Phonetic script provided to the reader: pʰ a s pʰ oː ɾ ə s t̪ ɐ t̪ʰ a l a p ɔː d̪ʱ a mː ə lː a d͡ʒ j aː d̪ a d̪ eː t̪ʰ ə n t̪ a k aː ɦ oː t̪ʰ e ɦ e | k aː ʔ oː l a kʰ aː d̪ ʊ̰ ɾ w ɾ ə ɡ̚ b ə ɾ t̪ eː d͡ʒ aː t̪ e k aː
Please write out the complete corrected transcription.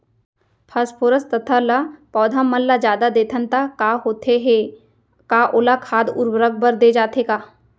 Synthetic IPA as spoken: pʰ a s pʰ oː ɾ ə s t̪ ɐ t̪ʰ a l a p ɔː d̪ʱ a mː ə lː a d͡ʒ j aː d̪ a d̪ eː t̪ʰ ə n t̪ a k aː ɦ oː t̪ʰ e ɦ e | k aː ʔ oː l a kʰ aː d̪ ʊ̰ ɾ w ɾ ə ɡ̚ b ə ɾ d̪ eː d͡ʒ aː t̪ e k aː

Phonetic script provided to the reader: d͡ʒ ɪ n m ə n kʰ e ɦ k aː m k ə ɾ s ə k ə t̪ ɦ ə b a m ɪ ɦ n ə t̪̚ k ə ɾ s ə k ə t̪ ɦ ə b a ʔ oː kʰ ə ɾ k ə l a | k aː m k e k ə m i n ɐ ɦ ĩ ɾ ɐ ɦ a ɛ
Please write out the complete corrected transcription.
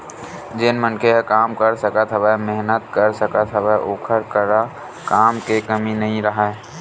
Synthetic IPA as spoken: d͡ʒ ɪ n m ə n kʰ e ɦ k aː m k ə ɾ s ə k ə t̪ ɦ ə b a m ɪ ɦ n ə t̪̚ k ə ɾ s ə k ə t̪ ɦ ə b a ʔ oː kʰ ə ɾ k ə ɾ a | k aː m k e k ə m i n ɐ ɦ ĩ ɾ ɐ ɦ a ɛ

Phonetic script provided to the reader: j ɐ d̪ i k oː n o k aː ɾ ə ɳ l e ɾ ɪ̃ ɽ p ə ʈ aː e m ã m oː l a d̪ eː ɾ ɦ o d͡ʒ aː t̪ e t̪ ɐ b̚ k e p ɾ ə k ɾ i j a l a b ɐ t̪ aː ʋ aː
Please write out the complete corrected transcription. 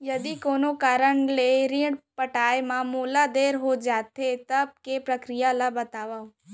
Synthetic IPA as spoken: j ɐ d̪ i k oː n o k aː ɾ ə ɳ l e ɾ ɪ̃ ɽ p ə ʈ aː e m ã m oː l a d̪ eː ɾ ɦ o d͡ʒ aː t̪ e t̪ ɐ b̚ k e p ɾ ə k ɾ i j a l a b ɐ t̪ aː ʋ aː

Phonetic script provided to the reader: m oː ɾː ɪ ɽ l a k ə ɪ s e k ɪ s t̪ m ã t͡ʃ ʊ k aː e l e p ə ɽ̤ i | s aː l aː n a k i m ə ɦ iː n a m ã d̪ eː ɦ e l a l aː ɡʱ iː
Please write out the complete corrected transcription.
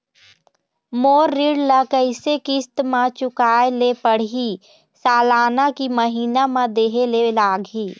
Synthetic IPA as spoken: m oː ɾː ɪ ɽ l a k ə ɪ s e k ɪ s t̪ m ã t͡ʃ ʊ k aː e l e p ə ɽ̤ i | s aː l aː n a k i m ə ɦ iː n a m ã d̪ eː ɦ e l e l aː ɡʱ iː

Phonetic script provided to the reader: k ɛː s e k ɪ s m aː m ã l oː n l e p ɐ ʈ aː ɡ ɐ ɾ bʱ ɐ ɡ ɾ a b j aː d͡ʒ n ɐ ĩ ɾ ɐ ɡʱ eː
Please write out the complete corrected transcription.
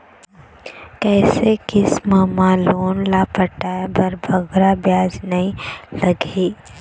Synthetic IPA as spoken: k ɛː s e k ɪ s m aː m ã l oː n l a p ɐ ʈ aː b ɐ ɾ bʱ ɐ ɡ ɾ a b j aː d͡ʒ n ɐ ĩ l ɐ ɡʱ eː

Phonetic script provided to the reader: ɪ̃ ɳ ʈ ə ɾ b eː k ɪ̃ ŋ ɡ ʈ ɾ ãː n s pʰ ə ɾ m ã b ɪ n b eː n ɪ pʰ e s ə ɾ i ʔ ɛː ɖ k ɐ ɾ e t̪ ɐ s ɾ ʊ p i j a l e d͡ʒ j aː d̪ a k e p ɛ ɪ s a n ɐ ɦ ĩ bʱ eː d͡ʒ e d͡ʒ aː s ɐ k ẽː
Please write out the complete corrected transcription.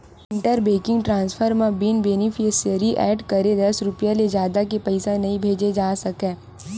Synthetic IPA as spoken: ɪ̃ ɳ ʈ ə ɾ b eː k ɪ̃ ŋ ɡ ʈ ɾ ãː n s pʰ ə ɾ m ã b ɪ n b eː n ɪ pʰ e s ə ɾ i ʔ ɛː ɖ k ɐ ɾ e d̪ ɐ s ɾ ʊ p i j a l e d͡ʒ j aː d̪ a k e p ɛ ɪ s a n ɐ ɦ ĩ bʱ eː d͡ʒ e d͡ʒ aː s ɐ k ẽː

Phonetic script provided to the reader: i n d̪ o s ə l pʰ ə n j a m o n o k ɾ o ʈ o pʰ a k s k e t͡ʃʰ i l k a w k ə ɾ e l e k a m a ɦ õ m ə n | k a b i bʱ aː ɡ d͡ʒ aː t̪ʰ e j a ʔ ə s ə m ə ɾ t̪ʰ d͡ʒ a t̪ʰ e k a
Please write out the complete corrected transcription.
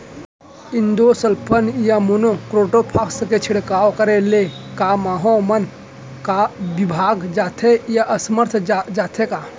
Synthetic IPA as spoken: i n d̪ o s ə l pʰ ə n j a m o n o k ɾ o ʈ o pʰ a k s k e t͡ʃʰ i ɽ k a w k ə ɾ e l e k a m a ɦ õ m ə n | k a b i bʱ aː ɡ d͡ʒ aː t̪ʰ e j a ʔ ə s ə m ə ɾ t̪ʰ d͡ʒ a t̪ʰ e k a

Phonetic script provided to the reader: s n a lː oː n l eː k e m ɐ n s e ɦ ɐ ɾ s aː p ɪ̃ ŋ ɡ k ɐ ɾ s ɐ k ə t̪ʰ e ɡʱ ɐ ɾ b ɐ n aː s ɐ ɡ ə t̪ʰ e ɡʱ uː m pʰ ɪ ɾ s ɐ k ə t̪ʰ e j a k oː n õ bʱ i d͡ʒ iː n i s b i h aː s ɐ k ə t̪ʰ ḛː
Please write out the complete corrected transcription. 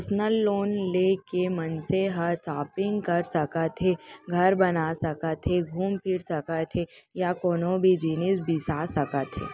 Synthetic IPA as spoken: s n ə lː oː n l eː k e m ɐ n s e ɦ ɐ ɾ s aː p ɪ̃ ŋ ɡ k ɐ ɾ s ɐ k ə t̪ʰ e ɡʱ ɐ ɾ b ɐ n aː s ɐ k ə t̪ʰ e ɡʱ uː m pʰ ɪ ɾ s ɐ k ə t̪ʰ e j a k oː n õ bʱ i d͡ʒ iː n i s b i s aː s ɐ k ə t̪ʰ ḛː

